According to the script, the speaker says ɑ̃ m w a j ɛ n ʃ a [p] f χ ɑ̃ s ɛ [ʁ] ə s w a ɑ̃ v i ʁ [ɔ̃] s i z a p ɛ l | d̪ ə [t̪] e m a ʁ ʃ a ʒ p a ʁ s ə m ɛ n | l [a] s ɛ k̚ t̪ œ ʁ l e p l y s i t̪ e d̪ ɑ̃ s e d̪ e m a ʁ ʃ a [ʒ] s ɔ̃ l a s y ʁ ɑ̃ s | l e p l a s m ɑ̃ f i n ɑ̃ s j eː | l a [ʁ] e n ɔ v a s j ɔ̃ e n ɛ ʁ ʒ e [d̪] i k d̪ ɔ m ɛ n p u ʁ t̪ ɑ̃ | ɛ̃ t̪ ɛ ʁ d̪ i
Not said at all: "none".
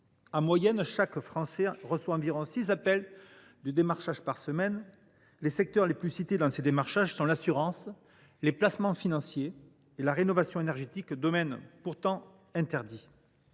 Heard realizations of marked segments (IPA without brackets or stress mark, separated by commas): k, ʁ, ɔ̃, d̪, e, ʒ, ʁ, t̪